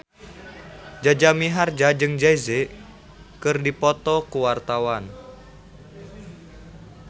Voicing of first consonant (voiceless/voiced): voiced